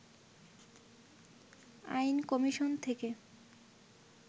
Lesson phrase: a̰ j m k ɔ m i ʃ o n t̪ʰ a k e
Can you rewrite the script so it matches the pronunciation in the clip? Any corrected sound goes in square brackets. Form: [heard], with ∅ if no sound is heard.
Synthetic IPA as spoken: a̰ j [n] k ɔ m i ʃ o n t̪ʰ [e] k e